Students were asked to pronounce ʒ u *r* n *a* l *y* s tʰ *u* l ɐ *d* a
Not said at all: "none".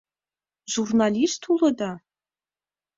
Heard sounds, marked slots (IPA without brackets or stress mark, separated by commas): r, a, i, u, d